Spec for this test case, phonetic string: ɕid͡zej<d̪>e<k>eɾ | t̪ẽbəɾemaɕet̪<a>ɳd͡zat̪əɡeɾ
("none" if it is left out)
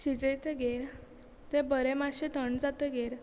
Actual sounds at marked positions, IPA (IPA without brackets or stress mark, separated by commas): t̪, ɡ, ə